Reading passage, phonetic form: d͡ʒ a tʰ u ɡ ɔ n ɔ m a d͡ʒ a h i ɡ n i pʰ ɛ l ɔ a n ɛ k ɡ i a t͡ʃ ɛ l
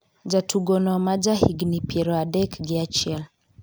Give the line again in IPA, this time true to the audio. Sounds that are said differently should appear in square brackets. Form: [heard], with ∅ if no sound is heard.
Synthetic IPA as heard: d͡ʒ a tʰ u ɡ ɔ n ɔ m a d͡ʒ a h i ɡ n i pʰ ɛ [ɾ] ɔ a [d] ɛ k ɡ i a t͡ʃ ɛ l